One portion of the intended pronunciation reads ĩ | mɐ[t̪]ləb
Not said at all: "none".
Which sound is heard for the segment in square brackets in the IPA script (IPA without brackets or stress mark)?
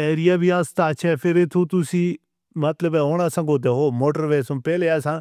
t̪